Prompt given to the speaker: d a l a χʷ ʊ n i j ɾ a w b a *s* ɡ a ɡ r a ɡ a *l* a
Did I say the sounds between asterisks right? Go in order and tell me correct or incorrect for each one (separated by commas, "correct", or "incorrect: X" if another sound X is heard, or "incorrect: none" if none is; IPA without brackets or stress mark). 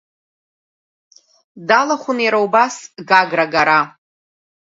correct, incorrect: ɾ